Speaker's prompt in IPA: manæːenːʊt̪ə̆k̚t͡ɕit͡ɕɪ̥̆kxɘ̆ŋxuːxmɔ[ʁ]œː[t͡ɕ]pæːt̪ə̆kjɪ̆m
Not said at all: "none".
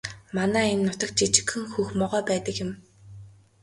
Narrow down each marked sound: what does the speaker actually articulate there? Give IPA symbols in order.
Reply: ʁ, none

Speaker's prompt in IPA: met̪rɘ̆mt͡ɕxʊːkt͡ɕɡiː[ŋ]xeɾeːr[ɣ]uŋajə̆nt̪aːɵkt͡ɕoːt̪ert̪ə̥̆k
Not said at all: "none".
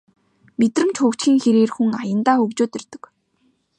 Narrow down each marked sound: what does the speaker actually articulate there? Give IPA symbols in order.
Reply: ŋ, x

